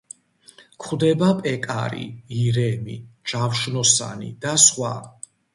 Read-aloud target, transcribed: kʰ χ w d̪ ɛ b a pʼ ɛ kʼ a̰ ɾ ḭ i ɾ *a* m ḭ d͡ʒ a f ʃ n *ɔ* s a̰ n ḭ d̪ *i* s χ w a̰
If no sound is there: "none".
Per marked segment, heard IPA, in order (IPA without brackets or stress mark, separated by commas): ɛ, ɔ, a